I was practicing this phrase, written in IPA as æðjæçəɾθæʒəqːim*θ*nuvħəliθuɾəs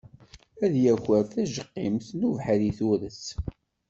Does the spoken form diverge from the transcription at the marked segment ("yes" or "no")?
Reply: no